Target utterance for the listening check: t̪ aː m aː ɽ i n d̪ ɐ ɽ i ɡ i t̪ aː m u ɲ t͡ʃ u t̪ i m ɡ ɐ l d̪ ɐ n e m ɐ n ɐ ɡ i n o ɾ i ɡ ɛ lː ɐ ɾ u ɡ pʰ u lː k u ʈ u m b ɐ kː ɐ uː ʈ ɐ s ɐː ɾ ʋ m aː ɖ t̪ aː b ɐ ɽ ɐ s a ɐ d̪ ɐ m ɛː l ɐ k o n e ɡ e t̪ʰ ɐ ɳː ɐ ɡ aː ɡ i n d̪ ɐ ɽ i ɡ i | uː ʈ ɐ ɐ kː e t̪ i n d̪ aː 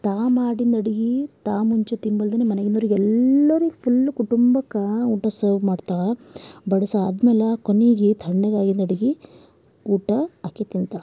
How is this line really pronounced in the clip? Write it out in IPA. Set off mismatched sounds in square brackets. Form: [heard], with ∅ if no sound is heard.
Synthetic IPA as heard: t̪ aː m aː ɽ i n d̪ ɐ ɽ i ɡ i t̪ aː m u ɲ t͡ʃ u t̪ i m [b] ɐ l d̪ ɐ n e m ɐ n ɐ ɡ i n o ɾ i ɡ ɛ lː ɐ ɾ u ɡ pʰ u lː k u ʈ u m b ɐ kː ɐ uː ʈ ɐ s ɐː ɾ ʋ m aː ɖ t̪ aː b ɐ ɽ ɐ s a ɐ d̪ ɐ m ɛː l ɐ k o n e ɡ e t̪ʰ ɐ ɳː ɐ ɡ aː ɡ i n d̪ ɐ ɽ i ɡ i | uː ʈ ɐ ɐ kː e t̪ i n [t̪] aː